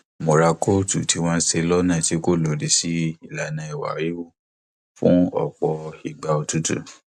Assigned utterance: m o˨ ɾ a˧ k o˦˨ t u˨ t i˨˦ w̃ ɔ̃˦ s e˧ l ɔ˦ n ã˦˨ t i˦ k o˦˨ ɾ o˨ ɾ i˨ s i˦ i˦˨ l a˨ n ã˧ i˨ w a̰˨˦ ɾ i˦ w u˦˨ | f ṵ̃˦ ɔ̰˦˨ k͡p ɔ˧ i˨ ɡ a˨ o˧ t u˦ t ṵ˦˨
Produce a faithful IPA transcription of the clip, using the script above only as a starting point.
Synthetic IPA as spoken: m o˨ ɾ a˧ k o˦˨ t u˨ t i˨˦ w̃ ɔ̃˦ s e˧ l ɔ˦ n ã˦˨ t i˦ k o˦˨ l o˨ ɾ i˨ s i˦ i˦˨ l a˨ n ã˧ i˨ w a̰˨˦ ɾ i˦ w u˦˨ | f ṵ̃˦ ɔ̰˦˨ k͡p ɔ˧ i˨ ɡ͡b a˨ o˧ t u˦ t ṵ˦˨